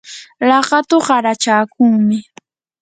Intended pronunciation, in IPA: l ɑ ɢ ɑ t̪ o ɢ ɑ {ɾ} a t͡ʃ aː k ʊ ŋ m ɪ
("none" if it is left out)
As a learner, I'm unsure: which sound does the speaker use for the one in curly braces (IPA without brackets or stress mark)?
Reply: ɾ